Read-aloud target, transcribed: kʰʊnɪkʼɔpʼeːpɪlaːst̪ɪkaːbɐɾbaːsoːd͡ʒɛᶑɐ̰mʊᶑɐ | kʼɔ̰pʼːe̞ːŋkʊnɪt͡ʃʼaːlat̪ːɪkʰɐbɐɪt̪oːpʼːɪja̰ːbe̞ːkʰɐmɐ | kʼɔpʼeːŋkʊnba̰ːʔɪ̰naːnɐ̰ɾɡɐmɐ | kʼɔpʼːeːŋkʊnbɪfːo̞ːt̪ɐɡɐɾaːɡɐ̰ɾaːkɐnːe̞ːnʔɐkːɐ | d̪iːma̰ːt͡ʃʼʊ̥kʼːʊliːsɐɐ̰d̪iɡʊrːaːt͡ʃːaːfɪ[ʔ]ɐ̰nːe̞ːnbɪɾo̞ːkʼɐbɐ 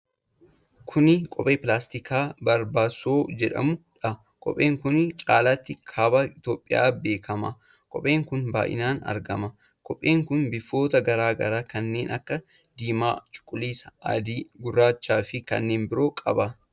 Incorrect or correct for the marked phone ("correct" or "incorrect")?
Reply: incorrect